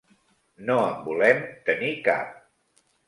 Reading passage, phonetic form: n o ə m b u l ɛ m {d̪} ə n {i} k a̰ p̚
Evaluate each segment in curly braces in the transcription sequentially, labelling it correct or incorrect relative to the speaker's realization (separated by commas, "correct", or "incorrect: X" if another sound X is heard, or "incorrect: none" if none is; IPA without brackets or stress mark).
incorrect: t̪, correct